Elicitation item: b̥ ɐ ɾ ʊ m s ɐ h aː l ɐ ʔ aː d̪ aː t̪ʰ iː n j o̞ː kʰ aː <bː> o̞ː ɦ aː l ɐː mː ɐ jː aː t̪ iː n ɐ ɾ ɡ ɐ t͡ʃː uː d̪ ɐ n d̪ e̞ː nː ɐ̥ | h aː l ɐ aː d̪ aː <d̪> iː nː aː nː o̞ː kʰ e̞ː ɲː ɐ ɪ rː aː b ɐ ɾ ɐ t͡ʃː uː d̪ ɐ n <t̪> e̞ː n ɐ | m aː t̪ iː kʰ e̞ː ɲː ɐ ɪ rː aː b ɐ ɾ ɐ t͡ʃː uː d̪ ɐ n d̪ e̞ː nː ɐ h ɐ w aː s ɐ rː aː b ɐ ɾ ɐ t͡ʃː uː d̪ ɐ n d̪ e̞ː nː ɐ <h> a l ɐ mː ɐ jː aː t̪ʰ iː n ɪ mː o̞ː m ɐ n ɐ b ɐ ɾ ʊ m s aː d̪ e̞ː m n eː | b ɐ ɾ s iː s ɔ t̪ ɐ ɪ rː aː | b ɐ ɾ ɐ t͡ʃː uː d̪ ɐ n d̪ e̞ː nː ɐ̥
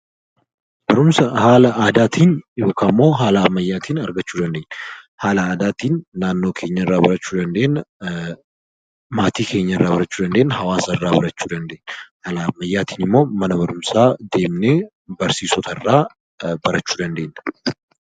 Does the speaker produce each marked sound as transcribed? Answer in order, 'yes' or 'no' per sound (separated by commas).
no, no, no, yes